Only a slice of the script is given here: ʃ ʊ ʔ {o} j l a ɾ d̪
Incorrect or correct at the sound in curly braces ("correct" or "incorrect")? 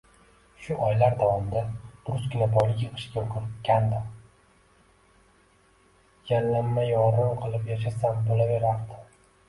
incorrect